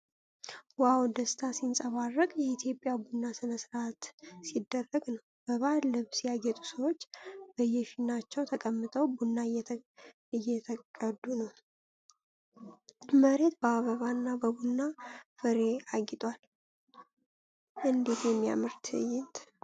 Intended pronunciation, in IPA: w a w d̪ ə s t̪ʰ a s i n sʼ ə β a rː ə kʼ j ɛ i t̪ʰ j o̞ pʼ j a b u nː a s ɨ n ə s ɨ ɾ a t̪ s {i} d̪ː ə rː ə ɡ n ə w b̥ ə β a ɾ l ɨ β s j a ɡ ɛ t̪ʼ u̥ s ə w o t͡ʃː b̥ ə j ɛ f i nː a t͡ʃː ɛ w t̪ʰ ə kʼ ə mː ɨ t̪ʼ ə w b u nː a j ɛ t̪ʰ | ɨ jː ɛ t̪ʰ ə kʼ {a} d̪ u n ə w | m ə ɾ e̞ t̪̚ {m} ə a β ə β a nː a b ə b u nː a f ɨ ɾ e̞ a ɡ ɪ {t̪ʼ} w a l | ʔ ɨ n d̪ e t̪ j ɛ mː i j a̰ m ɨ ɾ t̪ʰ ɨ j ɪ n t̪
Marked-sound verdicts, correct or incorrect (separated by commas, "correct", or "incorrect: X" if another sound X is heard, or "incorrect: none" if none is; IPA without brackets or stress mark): correct, incorrect: ə, incorrect: b, correct